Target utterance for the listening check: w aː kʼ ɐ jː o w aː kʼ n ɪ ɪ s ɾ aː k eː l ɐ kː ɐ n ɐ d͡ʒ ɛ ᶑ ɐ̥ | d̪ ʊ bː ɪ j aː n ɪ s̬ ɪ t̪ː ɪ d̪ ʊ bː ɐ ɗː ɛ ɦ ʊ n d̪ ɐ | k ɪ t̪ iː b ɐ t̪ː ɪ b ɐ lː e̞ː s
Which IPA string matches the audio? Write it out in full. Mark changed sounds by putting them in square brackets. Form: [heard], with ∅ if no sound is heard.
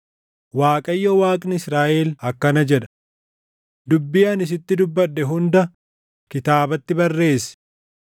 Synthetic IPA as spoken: w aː kʼ ɐ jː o w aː kʼ n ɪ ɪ s ɾ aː [ʔ] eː l ɐ kː ɐ n ɐ d͡ʒ ɛ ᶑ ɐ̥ | d̪ ʊ bː ɪ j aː n ɪ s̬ ɪ t̪ː ɪ d̪ ʊ bː ɐ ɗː ɛ ɦ ʊ n d̪ ɐ | k ɪ t̪ [aː] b ɐ t̪ː ɪ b ɐ [rː] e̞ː s